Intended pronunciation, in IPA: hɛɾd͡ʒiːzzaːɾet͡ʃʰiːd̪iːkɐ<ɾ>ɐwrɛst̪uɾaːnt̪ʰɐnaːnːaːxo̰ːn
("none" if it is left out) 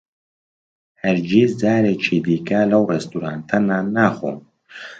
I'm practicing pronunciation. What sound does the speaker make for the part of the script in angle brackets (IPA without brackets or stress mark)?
l